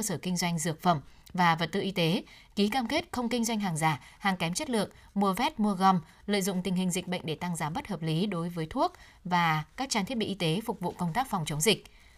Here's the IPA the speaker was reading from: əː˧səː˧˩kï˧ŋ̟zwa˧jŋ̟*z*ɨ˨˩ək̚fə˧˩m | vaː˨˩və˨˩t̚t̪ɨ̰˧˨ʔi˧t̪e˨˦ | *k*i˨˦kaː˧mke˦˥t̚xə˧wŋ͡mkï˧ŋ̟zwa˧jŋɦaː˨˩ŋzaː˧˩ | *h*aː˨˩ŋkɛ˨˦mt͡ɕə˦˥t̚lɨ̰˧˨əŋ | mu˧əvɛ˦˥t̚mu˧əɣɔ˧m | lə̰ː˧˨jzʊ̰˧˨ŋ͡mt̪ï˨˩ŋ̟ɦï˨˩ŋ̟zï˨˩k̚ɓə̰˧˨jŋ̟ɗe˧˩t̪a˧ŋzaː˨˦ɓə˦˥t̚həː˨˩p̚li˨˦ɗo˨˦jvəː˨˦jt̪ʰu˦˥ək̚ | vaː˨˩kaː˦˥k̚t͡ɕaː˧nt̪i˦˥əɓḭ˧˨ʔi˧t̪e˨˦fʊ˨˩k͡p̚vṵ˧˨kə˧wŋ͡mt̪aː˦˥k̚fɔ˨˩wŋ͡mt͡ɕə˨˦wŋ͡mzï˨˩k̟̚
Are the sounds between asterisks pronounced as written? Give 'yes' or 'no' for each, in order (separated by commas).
yes, yes, yes